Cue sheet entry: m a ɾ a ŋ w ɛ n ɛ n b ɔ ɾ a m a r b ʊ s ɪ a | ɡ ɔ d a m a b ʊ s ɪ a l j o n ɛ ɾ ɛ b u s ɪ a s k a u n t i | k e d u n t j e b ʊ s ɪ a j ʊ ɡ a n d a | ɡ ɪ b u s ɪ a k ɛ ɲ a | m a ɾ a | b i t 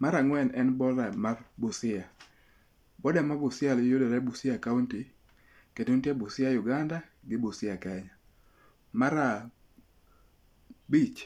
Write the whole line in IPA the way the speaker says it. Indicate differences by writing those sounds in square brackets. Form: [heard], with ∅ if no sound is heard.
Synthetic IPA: m a ɾ a ŋ w ɛ n ɛ n b ɔ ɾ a m a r b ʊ s ɪ a | [b] ɔ d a m a b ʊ s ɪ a l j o [d] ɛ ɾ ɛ b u s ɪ a [∅] k a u n t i | k e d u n t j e b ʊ s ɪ a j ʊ ɡ a n d a | ɡ ɪ b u s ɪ a k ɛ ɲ a | m a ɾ a | b i [t͡ʃ]